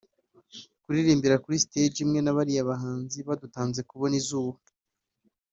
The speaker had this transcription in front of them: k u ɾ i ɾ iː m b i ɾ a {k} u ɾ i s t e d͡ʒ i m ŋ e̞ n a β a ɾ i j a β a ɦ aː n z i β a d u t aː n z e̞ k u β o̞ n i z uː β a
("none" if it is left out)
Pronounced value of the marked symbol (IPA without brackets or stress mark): k